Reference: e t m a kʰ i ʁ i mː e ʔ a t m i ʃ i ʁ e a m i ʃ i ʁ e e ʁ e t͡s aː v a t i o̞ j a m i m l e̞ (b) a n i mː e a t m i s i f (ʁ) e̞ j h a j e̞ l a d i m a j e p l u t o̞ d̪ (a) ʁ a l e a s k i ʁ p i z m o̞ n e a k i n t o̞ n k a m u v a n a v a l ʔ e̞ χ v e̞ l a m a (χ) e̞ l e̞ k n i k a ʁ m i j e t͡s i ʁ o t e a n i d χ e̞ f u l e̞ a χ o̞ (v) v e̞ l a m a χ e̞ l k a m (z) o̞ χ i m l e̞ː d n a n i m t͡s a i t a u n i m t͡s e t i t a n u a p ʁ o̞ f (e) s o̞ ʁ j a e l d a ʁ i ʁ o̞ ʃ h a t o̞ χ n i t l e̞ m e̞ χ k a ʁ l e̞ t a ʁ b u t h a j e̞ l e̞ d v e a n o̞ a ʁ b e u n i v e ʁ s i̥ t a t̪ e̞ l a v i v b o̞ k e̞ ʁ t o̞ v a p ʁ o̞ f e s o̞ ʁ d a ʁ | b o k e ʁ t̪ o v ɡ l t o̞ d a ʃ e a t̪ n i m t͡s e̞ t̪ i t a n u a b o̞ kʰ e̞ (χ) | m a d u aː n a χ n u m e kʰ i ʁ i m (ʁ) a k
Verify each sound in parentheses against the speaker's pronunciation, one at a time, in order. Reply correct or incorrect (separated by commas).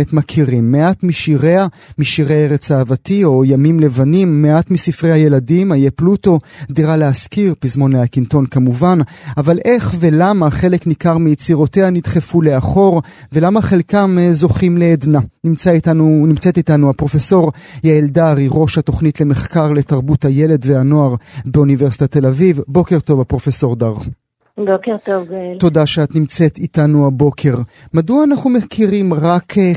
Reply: incorrect, correct, incorrect, correct, incorrect, correct, correct, incorrect, correct